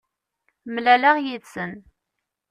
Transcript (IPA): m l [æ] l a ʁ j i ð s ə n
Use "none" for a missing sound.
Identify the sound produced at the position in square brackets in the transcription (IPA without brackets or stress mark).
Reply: æ